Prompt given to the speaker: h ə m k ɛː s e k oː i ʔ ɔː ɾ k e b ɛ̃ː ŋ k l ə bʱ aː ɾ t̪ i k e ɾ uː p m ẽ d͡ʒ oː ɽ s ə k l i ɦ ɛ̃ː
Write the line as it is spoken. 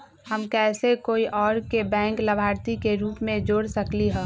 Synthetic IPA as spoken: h ə m k ɛː s e k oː i ʔ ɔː ɾ k e b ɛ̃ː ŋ k l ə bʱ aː ɾ t̪ i k e ɾ uː p m ẽ d͡ʒ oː ɽ s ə k l i ɦ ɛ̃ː